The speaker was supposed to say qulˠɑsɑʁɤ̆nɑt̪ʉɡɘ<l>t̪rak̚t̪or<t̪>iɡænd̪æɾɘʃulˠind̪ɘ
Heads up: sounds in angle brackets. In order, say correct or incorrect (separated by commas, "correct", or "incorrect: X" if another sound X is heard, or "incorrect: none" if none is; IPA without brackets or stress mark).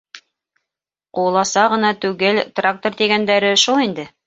correct, correct